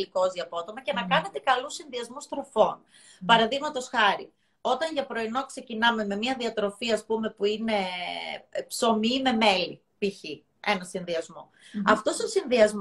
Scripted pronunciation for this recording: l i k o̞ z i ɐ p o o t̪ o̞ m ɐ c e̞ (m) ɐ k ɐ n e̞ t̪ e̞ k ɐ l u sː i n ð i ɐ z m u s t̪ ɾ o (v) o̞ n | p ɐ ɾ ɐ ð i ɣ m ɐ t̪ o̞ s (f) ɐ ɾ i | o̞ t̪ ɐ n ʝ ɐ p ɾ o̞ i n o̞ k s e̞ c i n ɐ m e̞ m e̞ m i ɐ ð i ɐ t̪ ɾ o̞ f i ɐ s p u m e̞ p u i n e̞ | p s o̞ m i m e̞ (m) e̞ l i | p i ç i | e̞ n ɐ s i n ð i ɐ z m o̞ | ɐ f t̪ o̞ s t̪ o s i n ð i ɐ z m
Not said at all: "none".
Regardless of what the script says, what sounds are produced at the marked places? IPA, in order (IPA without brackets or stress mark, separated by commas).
n, f, x, m